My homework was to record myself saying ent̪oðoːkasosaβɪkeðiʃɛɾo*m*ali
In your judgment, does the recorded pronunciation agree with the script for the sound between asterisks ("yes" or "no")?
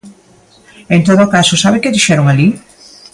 no